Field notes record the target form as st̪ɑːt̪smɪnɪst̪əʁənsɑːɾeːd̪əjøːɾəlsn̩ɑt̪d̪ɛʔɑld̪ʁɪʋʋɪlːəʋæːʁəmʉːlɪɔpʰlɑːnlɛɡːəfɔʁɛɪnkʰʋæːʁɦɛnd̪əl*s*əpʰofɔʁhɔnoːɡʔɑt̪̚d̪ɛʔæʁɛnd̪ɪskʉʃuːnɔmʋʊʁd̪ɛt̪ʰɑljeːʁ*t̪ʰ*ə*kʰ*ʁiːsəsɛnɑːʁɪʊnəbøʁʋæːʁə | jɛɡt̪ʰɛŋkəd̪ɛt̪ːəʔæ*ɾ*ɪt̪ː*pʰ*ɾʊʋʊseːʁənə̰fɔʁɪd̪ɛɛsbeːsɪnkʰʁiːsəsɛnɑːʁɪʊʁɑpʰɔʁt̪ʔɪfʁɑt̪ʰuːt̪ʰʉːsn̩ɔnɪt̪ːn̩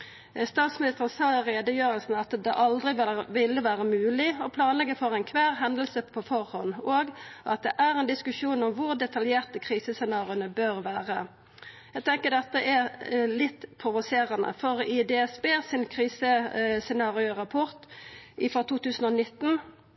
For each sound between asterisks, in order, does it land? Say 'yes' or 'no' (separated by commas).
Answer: yes, no, yes, no, yes